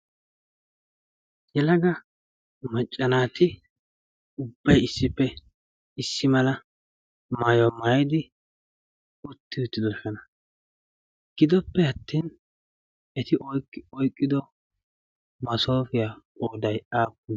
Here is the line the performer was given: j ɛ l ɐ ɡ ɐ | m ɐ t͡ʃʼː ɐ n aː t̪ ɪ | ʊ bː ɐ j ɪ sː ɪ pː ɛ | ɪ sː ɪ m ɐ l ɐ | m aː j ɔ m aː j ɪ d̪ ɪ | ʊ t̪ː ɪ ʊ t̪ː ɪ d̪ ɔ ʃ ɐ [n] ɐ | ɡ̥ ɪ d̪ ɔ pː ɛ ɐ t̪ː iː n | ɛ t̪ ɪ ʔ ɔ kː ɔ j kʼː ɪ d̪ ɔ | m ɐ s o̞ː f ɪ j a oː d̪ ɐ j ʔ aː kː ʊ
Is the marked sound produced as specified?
yes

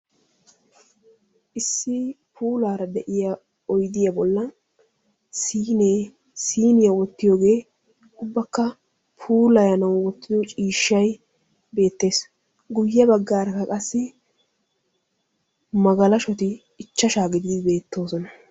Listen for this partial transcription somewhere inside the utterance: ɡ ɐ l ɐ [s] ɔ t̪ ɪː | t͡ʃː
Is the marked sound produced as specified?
no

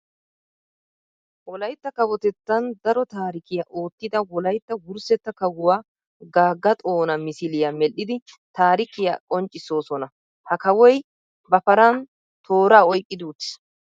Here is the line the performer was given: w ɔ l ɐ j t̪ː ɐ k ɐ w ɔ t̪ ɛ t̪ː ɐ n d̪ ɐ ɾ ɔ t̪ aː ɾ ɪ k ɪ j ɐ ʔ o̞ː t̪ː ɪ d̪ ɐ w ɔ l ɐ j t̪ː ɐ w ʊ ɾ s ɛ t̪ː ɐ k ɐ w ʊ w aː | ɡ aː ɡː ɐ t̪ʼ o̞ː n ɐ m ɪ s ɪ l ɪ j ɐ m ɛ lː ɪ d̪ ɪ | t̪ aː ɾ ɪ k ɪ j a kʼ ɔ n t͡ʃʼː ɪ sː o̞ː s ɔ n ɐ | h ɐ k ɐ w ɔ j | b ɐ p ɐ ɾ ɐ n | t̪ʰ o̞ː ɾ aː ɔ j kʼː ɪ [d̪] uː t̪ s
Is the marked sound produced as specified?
yes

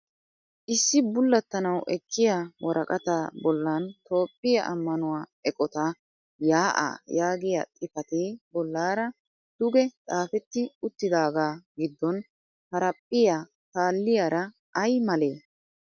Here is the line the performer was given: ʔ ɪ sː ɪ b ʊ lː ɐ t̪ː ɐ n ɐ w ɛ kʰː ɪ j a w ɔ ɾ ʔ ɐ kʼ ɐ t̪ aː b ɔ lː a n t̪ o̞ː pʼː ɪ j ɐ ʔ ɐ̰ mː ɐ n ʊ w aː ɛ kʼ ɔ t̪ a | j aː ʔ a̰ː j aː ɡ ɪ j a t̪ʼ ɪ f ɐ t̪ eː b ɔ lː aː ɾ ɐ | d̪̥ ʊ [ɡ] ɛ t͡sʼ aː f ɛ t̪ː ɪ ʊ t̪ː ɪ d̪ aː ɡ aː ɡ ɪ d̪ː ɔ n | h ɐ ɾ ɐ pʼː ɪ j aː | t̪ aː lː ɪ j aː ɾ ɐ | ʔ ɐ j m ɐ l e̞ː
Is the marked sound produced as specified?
yes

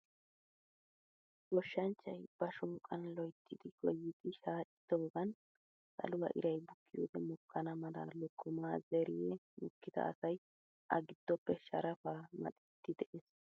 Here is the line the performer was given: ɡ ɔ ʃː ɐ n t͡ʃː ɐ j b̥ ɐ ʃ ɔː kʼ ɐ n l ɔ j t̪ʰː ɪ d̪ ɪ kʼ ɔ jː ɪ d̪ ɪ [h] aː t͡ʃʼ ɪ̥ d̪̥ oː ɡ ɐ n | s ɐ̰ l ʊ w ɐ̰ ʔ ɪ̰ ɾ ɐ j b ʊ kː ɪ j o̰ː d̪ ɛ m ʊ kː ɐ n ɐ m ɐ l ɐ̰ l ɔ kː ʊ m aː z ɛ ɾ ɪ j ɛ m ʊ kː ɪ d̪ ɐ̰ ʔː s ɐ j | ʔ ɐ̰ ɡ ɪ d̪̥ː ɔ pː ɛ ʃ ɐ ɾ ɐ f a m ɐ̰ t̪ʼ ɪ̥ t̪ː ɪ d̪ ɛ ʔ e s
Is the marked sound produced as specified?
no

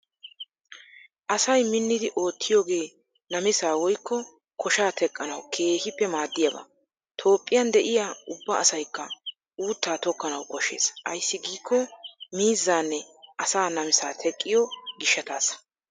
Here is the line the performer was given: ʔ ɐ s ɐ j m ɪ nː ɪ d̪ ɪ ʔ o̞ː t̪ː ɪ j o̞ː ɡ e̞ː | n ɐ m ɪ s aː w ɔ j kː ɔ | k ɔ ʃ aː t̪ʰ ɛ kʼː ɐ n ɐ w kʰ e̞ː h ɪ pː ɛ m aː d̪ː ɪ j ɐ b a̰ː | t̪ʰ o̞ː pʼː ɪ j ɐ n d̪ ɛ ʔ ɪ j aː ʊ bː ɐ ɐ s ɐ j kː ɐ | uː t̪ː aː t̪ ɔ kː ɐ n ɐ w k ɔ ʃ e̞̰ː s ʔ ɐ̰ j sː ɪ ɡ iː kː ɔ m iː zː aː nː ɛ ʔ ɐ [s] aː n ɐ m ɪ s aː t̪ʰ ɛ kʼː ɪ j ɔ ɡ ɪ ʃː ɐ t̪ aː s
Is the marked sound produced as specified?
yes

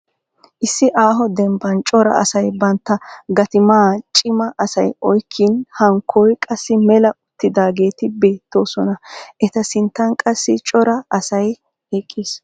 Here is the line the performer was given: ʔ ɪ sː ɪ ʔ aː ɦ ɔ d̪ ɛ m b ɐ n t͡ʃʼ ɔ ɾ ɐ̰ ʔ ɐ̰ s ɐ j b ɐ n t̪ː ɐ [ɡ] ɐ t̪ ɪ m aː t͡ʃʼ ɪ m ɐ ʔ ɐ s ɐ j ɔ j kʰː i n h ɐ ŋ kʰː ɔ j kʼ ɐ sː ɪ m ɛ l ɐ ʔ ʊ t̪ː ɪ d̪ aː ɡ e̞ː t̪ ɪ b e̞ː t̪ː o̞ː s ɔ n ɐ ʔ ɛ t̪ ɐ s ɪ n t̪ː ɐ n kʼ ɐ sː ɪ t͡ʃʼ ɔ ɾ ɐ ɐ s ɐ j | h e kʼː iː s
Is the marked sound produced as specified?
yes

